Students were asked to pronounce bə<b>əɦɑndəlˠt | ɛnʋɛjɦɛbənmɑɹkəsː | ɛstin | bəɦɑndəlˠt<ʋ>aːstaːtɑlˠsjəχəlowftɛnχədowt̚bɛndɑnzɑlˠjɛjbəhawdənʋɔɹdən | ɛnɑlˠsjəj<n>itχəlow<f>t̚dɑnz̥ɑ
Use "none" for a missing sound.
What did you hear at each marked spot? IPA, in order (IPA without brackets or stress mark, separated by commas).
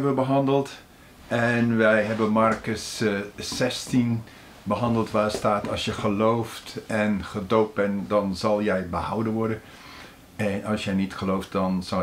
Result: b, ʋ, n, f